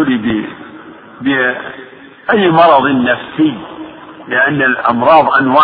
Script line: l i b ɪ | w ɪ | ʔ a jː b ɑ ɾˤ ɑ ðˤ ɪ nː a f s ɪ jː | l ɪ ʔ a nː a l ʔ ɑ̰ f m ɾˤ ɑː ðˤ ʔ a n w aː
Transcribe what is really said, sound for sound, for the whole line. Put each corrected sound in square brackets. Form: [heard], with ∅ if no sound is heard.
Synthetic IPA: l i b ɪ | [b] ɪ | ʔ a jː [m] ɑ ɾˤ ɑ ðˤ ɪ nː a f s ɪ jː | l ɪ ʔ a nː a l ʔ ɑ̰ [∅] m ɾˤ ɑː ðˤ ʔ a n w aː